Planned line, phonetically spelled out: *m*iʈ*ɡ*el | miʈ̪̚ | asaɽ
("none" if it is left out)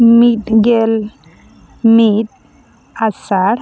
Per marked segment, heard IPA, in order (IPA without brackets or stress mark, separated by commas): m, ɡ